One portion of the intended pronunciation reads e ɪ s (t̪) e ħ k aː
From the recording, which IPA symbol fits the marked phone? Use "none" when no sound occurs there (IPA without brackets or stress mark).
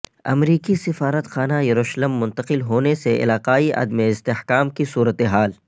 t̪